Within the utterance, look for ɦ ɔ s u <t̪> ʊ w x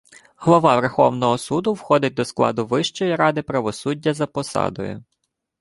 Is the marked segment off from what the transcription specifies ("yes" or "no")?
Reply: yes